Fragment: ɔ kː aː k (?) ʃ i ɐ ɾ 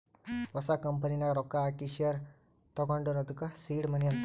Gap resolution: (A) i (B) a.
A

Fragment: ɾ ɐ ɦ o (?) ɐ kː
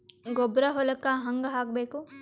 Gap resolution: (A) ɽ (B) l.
B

